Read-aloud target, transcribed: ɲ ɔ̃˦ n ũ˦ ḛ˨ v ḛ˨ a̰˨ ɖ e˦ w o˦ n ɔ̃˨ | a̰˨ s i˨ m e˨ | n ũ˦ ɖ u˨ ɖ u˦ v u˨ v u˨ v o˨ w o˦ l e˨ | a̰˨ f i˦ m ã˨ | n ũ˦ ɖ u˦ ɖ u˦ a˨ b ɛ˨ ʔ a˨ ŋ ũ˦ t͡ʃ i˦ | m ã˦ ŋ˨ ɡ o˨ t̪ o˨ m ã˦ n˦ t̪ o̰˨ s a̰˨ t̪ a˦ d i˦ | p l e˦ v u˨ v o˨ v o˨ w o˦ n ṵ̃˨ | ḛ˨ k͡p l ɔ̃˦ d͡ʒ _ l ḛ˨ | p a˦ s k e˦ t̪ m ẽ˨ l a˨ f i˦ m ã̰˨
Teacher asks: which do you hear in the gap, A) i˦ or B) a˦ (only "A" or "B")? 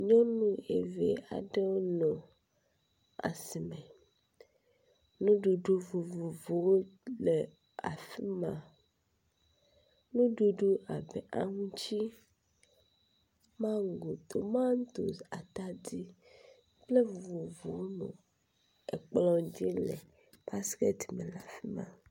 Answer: A